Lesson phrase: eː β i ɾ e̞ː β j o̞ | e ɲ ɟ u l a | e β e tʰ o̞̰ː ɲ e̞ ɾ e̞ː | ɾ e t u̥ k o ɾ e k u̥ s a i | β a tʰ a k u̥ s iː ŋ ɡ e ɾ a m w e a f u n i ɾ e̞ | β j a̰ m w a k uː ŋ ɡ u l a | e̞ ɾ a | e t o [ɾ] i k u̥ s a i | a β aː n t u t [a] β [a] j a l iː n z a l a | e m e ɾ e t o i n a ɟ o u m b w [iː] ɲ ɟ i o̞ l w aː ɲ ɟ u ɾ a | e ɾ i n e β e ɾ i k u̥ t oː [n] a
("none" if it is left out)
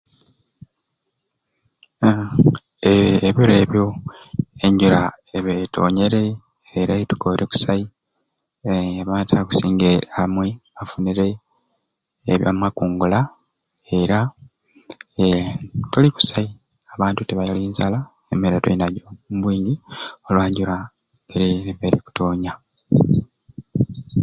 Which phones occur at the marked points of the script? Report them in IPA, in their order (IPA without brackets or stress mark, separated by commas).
l, e, a, iː, ɲ